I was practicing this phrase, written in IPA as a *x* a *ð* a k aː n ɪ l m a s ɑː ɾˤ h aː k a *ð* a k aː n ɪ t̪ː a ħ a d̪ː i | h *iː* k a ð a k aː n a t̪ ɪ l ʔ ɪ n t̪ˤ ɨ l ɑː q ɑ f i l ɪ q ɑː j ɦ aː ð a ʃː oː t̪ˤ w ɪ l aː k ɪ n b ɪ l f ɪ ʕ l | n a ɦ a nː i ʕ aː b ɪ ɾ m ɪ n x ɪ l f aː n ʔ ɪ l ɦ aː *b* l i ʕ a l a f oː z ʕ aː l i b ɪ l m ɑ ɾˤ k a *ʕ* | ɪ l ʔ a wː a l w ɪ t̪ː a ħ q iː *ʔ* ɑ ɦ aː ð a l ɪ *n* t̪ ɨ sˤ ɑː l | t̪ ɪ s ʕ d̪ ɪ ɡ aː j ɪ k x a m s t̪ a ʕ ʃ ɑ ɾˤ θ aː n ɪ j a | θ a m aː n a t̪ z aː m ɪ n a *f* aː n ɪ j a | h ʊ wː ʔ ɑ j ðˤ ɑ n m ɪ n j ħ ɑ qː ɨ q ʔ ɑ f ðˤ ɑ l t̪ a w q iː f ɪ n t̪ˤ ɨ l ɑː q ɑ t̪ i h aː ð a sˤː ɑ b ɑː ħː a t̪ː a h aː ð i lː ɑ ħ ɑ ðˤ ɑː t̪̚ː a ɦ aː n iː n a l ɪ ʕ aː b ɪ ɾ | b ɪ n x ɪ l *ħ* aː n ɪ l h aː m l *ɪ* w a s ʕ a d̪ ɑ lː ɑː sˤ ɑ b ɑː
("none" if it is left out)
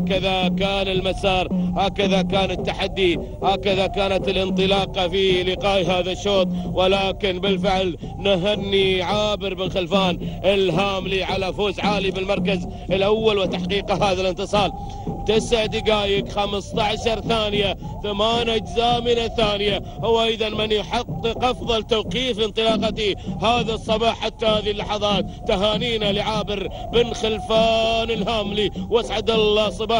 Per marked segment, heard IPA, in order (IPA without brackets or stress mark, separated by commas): k, ð, ð, aː, m, z, q, n, θ, f, i